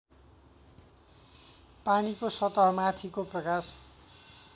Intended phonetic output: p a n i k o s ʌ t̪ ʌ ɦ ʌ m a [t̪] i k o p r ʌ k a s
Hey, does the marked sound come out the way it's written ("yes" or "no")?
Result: no